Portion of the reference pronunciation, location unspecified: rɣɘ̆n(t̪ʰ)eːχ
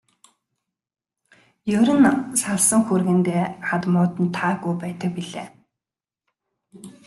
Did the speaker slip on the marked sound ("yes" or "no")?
yes